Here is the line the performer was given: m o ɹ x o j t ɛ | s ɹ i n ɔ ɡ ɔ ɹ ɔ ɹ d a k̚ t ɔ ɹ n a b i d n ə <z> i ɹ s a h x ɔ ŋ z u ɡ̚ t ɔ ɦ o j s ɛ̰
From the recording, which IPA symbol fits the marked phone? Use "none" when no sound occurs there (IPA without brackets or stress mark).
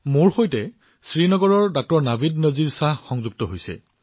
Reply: z